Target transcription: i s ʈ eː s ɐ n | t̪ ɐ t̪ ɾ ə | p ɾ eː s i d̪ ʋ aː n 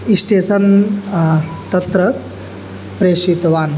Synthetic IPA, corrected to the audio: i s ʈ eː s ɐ n | t̪ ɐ t̪ ɾ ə | p ɾ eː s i t̪ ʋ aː n